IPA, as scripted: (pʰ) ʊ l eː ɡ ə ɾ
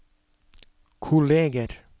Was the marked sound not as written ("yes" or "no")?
yes